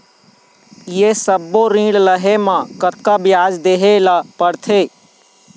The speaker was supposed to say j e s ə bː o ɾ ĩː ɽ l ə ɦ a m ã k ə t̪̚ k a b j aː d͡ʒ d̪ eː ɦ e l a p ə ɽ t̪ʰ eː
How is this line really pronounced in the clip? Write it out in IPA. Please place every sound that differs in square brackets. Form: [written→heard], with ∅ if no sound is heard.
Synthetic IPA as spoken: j e s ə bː o ɾ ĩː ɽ l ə ɦ [a→e] m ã k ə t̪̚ k a b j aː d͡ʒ d̪ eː ɦ e l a p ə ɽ t̪ʰ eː